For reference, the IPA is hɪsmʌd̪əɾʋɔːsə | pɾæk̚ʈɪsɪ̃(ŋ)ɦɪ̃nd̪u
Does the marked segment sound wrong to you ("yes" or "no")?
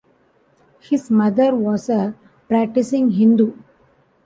no